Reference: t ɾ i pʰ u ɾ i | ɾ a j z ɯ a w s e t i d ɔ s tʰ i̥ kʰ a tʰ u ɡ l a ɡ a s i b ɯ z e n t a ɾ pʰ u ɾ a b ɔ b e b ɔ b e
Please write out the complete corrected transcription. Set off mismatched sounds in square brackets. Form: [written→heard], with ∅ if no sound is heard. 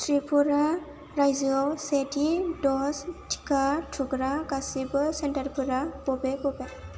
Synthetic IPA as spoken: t ɾ i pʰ u ɾ [i→a] | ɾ a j z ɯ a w s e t i d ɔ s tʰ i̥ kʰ a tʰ u ɡ [l→ɾ] a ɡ a s i b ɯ [z→s] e n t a ɾ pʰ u ɾ a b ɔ b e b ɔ b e